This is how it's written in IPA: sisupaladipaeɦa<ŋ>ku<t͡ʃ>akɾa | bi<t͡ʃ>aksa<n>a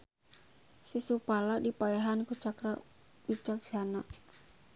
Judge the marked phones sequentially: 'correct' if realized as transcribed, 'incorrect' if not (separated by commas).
incorrect, correct, correct, correct